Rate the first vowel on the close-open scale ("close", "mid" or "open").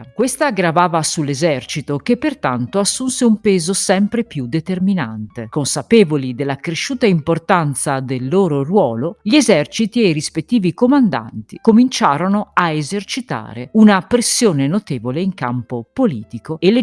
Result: mid